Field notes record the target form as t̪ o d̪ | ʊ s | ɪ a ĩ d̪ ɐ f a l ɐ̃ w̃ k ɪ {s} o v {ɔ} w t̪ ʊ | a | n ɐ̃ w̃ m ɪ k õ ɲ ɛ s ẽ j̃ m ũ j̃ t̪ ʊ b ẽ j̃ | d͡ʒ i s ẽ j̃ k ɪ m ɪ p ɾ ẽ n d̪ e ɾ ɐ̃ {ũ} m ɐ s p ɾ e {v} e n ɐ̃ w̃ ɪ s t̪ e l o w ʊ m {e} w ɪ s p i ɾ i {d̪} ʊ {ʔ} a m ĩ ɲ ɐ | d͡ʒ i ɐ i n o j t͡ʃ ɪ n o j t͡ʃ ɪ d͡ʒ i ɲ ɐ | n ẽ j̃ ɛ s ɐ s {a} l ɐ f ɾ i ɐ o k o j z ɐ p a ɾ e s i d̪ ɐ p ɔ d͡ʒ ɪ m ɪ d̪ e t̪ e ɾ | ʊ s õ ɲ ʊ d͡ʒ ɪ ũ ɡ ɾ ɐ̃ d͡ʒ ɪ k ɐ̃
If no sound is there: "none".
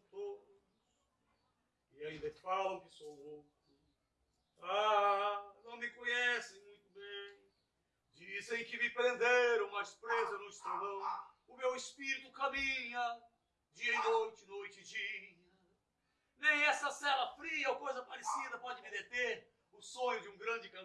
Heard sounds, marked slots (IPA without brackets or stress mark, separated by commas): s, o, w̃, z, e, t̪, k, ɛ